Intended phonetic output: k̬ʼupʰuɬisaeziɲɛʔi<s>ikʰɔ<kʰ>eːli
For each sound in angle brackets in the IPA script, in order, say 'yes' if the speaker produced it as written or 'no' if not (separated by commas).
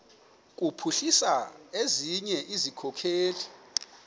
no, yes